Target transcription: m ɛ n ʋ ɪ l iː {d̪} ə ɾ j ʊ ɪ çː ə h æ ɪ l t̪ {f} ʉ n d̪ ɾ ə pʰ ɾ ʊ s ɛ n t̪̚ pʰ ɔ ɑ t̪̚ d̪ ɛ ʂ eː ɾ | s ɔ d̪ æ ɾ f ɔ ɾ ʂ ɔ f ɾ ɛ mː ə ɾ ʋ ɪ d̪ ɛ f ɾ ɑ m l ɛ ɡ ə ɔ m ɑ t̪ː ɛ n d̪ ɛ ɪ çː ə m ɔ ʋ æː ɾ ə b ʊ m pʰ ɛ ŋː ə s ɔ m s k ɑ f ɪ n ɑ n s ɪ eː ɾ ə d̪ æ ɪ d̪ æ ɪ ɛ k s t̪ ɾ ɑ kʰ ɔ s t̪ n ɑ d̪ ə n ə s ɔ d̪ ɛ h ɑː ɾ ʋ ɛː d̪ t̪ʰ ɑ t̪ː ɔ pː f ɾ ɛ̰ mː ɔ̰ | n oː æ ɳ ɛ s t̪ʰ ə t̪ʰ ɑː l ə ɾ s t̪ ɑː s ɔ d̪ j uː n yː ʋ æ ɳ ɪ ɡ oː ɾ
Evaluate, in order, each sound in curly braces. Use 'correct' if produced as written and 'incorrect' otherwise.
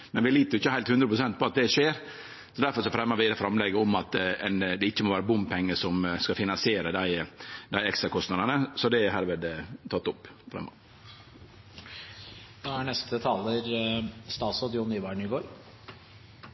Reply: incorrect, incorrect

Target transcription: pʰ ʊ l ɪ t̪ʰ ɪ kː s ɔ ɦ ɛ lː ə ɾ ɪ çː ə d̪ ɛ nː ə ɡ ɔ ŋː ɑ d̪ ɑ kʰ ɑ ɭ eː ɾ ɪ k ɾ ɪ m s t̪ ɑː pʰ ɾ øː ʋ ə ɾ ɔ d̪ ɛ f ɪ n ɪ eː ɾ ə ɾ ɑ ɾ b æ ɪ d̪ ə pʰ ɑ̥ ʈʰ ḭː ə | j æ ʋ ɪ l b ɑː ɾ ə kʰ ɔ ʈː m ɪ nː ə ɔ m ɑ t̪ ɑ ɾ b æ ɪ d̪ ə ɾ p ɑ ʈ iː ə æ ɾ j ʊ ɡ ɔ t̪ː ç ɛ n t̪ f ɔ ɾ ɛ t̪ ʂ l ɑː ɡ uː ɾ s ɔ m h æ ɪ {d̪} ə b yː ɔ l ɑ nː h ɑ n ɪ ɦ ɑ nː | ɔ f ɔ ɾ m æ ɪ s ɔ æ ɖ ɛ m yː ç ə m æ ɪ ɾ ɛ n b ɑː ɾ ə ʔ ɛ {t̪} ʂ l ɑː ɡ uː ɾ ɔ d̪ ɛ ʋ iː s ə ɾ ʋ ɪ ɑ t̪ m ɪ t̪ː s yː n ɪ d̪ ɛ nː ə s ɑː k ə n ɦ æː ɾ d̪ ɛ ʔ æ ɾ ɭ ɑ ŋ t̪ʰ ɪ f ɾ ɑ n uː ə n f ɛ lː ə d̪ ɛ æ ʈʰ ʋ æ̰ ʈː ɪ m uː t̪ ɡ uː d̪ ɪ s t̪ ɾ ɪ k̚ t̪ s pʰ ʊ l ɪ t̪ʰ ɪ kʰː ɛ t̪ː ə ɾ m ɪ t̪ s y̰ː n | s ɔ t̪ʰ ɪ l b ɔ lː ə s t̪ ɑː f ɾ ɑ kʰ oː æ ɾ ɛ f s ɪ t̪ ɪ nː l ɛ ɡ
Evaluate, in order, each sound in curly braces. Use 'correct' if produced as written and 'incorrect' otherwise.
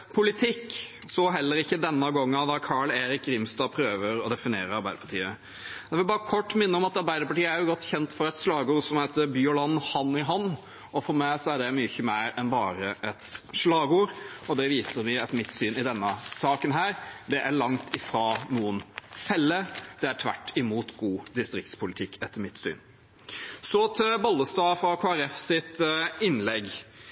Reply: incorrect, correct

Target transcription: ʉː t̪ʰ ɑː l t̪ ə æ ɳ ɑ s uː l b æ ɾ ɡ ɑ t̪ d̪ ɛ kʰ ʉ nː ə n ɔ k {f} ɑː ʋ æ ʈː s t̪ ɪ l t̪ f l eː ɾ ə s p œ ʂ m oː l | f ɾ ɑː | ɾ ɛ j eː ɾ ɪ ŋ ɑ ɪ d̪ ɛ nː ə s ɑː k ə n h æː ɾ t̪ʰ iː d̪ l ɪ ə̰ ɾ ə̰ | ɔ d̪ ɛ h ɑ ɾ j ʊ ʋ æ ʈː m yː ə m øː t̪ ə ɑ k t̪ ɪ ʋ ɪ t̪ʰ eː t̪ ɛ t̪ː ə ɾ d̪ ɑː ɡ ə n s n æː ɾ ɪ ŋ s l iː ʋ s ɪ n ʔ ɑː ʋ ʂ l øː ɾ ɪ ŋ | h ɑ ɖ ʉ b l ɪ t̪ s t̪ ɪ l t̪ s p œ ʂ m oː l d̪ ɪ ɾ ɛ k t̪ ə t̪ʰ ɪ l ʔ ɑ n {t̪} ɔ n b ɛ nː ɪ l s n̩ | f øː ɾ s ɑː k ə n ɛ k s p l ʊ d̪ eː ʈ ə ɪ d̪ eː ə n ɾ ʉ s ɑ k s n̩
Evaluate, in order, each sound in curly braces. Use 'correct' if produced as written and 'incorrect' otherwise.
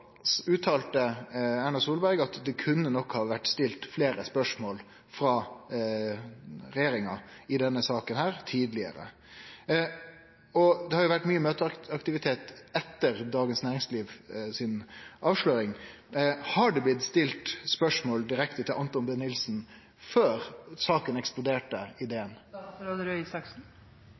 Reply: incorrect, correct

